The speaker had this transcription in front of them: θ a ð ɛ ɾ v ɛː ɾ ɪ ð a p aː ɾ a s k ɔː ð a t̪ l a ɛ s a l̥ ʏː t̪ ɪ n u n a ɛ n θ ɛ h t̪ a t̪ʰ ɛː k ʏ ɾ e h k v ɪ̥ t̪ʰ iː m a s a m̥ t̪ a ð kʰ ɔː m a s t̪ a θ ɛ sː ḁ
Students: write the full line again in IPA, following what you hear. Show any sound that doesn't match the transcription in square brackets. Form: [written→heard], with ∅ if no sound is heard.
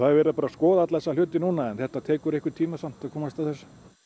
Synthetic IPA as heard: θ a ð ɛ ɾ v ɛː ɾ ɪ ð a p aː ɾ a s k ɔː ð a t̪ l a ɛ s a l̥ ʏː t̪ ɪ n u n a ɛ n θ ɛ h t̪ a t̪ʰ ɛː k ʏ ɾ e h k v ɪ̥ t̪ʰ iː m a s a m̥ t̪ a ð kʰ ɔː m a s t̪ a θ ɛ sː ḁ